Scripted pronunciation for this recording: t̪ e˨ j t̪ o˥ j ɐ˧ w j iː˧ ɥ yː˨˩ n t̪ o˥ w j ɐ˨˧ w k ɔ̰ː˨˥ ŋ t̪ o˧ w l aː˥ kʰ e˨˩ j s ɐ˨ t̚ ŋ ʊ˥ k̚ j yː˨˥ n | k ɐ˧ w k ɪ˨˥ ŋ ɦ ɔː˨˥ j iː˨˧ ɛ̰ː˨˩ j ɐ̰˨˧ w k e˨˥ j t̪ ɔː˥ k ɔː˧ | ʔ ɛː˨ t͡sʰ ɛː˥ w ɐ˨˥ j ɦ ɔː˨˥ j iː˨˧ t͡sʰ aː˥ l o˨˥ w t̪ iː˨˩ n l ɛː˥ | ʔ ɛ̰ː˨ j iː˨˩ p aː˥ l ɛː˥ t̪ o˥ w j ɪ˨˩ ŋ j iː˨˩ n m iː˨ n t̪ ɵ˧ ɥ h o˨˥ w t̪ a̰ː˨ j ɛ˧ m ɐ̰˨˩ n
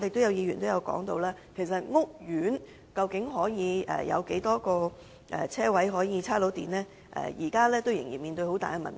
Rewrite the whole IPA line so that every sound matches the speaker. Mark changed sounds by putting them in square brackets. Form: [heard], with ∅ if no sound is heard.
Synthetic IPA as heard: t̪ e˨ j t̪ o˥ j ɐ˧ w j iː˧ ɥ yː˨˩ n t̪ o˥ w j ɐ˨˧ w k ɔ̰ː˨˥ ŋ t̪ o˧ w l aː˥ kʰ e˨˩ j s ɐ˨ t̚ ŋ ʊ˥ k̚ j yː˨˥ n | k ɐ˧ w k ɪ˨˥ ŋ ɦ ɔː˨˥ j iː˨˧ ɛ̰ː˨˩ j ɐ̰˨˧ w k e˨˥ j t̪ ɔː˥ k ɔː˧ | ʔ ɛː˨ t͡sʰ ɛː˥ w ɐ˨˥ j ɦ ɔː˨˥ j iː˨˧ t͡sʰ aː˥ l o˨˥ w t̪ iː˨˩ n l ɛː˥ | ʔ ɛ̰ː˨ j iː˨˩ [k] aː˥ l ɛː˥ t̪ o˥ w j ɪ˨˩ ŋ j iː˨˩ n m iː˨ n t̪ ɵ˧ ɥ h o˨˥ w t̪ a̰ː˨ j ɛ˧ m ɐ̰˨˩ n